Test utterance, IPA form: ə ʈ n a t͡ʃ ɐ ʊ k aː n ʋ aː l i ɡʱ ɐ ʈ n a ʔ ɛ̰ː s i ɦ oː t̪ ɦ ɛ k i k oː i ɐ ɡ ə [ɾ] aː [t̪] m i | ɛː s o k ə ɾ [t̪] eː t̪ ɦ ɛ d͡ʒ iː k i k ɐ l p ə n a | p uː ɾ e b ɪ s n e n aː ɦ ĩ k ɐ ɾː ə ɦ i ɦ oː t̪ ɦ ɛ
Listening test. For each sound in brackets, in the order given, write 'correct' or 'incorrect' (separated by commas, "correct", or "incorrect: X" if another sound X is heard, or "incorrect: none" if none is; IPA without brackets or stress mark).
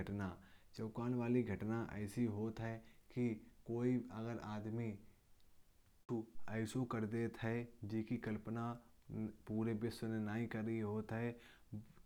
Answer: correct, incorrect: d̪, incorrect: d̪